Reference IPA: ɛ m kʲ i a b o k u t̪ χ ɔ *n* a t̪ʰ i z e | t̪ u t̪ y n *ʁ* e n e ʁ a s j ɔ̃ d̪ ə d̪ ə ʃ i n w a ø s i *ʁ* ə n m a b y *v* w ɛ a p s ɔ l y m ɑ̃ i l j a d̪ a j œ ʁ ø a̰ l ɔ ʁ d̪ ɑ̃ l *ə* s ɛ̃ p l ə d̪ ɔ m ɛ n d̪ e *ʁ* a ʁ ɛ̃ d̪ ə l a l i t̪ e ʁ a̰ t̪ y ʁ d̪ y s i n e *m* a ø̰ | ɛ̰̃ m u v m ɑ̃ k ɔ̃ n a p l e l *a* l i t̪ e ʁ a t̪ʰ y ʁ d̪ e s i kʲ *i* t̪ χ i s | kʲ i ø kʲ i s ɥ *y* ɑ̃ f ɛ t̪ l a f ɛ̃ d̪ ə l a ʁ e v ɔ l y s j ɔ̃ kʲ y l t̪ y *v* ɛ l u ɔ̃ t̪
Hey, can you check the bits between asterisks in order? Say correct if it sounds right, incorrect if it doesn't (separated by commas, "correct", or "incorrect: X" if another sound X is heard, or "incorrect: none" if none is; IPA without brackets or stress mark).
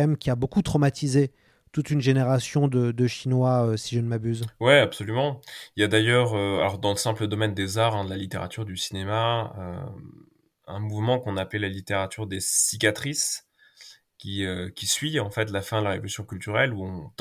incorrect: m, incorrect: ʒ, incorrect: ʒ, incorrect: z, correct, incorrect: z, correct, correct, incorrect: a, incorrect: i, incorrect: ʁ